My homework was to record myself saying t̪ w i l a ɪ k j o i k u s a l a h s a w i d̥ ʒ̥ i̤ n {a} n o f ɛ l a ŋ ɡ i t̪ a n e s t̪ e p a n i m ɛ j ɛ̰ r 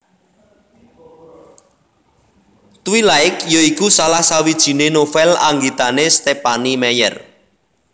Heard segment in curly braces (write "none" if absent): e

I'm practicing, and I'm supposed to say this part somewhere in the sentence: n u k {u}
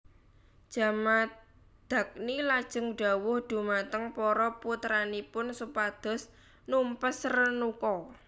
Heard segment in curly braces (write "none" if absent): ɔ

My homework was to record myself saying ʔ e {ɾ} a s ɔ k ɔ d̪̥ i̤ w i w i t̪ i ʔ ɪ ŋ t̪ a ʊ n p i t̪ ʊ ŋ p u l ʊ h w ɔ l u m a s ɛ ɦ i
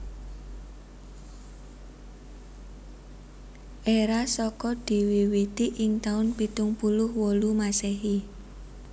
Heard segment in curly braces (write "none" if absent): ɾ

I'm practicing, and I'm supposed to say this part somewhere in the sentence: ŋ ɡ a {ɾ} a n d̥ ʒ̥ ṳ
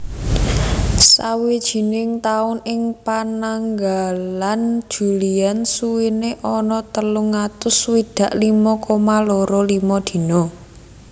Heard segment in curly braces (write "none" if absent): l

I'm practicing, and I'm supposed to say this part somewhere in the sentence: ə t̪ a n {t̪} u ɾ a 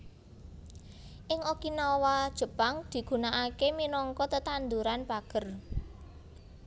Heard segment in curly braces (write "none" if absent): d̪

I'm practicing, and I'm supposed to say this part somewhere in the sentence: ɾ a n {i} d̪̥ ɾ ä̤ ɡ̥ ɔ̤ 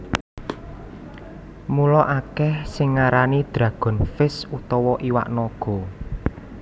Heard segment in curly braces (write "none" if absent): i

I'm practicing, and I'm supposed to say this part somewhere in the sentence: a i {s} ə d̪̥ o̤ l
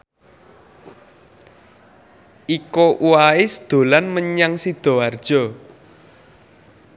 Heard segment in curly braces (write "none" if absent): s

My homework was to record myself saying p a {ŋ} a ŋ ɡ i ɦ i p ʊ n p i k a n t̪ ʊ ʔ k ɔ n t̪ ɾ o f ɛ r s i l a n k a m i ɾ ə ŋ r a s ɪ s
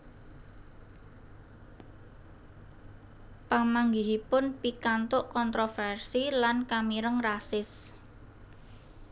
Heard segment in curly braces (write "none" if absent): m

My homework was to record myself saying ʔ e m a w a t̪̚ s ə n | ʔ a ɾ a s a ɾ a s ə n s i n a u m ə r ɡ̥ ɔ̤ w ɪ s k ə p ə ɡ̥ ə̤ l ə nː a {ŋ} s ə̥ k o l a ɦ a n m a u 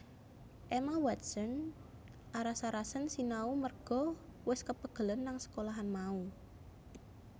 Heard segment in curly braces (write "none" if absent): ŋ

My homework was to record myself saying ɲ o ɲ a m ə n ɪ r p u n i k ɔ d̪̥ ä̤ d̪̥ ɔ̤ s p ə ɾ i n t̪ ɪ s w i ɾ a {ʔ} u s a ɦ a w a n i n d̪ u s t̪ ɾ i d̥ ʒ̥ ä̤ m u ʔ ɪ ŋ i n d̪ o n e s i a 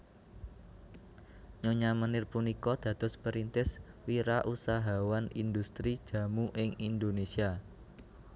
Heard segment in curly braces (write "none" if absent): ʔ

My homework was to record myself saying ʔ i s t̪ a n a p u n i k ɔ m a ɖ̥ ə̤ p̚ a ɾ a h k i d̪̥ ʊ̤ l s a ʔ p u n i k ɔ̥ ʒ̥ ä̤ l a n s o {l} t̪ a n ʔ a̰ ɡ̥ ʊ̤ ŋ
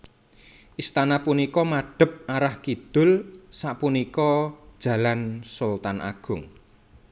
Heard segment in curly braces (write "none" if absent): l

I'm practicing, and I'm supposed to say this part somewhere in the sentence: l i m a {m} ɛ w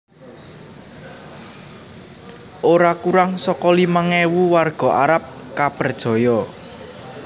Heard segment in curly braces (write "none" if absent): ŋ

